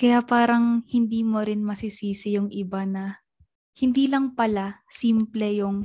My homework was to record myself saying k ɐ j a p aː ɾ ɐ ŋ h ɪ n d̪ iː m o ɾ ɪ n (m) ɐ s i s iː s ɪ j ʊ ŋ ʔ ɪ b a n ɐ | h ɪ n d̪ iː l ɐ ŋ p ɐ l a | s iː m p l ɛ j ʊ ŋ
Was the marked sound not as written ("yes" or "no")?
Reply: no